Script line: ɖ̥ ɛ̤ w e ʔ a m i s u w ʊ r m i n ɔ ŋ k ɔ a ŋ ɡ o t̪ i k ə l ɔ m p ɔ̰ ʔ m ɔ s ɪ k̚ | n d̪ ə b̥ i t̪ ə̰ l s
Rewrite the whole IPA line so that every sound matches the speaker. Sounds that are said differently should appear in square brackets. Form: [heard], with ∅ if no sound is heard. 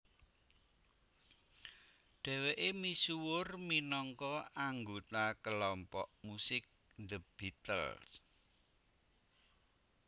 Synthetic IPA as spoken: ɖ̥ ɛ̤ w e ʔ [e] m i s u w ʊ r m i n ɔ ŋ k ɔ a ŋ ɡ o t̪ [a] k ə l ɔ m p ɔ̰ ʔ m [u] s ɪ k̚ | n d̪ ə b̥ i t̪ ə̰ l s